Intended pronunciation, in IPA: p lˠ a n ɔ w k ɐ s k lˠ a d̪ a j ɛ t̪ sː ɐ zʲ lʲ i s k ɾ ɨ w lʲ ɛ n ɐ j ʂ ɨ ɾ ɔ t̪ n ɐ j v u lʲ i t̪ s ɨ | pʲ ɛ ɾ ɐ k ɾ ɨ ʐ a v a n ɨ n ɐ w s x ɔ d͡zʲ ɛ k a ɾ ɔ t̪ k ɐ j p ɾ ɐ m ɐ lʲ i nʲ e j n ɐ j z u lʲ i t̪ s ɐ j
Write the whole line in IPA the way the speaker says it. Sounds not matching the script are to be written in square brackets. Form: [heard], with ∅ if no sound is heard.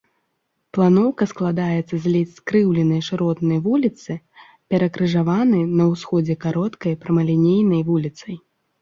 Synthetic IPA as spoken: p lˠ a n ɔ w k ɐ s k lˠ a d̪ a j ɛ t̪ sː ɐ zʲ lʲ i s k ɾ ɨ w lʲ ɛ n ɐ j ʂ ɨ ɾ ɔ t̪ n ɐ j v u lʲ i t̪ s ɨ | pʲ ɛ ɾ ɐ k ɾ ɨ ʐ a v a n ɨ n ɐ w s x ɔ d͡zʲ ɛ k a ɾ ɔ t̪ k ɐ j p ɾ ɐ m ɐ lʲ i nʲ e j n ɐ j [v] u lʲ i t̪ s ɐ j

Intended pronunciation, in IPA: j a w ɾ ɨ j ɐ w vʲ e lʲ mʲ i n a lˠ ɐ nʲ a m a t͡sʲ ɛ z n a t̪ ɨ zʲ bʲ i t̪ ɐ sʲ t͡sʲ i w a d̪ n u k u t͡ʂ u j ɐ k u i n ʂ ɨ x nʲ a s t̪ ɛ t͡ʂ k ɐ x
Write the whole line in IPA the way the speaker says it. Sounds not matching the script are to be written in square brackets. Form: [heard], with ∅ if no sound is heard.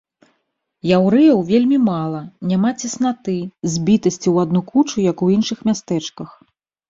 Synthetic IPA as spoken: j a w ɾ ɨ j ɐ w vʲ e lʲ mʲ i [m] a lˠ ɐ nʲ a m a t͡sʲ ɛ [s] n a t̪ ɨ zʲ bʲ i t̪ ɐ sʲ t͡sʲ i w a d̪ n u k u t͡ʂ u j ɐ k u i n ʂ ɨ x [mʲ] a s t̪ ɛ t͡ʂ k ɐ x

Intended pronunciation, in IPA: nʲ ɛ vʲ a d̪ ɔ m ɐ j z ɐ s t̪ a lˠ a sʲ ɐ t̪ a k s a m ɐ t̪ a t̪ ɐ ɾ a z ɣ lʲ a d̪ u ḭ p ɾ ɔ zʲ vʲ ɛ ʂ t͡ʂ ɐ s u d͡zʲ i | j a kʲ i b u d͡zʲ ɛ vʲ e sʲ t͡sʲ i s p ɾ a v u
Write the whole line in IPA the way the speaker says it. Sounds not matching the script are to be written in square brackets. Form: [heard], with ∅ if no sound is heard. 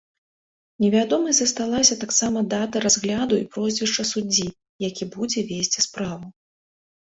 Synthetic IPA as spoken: nʲ ɛ vʲ a d̪ ɔ m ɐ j z ɐ s t̪ a lˠ a sʲ ɐ t̪ a k s a m ɐ [d̪] a t̪ ɐ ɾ a z ɣ lʲ a d̪ u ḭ p ɾ ɔ zʲ vʲ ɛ ʂ t͡ʂ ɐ s u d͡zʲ i | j a kʲ i b u d͡zʲ ɛ vʲ e sʲ t͡sʲ i s p ɾ a v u

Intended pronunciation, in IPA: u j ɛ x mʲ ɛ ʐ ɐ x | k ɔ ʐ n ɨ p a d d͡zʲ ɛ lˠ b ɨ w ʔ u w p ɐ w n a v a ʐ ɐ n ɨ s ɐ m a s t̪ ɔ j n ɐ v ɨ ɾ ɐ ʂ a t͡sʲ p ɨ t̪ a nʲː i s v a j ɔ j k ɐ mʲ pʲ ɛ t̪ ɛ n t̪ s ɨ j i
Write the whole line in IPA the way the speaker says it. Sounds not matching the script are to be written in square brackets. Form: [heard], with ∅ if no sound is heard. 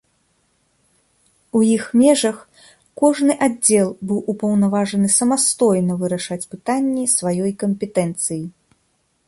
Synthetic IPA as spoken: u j [i] x mʲ ɛ ʐ ɐ x | k ɔ ʐ n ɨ [ʔ] a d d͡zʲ ɛ lˠ b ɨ w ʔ u [∅] p ɐ w n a v a ʐ ɐ n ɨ s ɐ m a s t̪ ɔ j n ɐ v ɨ ɾ ɐ ʂ a t͡sʲ p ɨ t̪ a nʲː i s v a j ɔ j k ɐ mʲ pʲ ɛ t̪ ɛ n t̪ s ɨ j i

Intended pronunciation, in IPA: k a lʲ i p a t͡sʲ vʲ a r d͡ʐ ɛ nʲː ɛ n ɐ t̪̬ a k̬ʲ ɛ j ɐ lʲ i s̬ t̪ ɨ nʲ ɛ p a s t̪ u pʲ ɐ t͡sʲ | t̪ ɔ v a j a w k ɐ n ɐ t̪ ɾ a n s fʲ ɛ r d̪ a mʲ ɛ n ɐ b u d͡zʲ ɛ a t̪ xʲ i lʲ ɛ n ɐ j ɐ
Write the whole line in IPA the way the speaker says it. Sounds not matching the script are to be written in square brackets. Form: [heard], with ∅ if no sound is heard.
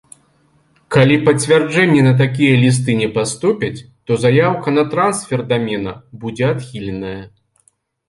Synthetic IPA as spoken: k a lʲ i p [ɐ] t͡sʲ vʲ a r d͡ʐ ɛ nʲː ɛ n ɐ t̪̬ a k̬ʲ [i] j ɐ lʲ i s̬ t̪ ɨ nʲ ɛ p a s t̪ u pʲ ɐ t͡sʲ | t̪ ɔ [z] a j a w k ɐ n ɐ t̪ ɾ a n s fʲ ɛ r d̪ a mʲ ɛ n ɐ b u d͡zʲ ɛ a t̪ xʲ i lʲ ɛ n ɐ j ɐ

